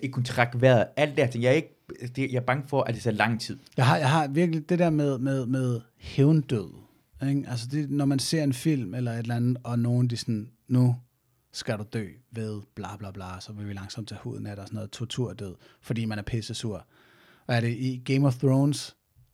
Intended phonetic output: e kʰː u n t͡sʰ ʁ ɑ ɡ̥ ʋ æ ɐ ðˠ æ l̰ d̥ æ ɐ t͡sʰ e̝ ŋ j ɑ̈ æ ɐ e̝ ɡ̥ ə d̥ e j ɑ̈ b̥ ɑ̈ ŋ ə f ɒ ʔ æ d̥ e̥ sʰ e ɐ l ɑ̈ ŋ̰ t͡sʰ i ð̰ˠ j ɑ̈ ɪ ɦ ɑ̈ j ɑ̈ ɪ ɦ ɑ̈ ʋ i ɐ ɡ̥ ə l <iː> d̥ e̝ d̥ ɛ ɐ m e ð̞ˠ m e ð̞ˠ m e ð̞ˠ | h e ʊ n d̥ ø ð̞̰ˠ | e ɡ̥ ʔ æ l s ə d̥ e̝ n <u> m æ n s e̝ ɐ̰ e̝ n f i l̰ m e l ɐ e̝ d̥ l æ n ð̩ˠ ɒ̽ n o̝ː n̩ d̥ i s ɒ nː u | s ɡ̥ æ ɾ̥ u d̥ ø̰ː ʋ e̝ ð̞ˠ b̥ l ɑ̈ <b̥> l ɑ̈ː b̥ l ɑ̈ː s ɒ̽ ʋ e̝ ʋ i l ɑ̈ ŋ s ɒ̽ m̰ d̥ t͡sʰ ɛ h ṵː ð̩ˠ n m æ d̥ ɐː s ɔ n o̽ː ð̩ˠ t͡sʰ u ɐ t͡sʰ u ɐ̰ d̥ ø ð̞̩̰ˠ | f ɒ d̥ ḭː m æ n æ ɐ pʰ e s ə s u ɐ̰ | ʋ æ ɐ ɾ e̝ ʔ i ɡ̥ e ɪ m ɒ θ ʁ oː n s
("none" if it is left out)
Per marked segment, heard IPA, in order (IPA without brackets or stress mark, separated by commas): i, ɒ, b̥